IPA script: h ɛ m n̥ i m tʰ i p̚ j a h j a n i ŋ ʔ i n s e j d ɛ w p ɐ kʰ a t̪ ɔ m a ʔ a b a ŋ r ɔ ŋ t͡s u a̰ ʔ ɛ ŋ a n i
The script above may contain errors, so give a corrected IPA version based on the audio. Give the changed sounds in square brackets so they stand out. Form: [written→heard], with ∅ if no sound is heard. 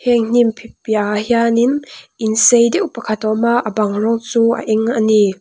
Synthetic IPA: h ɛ [m→ŋ] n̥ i m [tʰ→pʰ] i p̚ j a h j a n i [ŋ→n] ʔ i n s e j d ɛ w p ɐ kʰ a t̪ ɔ m a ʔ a b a ŋ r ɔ ŋ t͡s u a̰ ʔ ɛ ŋ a n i